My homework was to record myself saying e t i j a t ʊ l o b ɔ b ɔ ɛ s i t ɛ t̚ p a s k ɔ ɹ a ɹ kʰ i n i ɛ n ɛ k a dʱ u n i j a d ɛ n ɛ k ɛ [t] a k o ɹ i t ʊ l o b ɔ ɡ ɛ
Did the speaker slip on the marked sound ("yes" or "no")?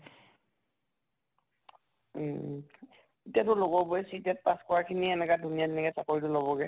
yes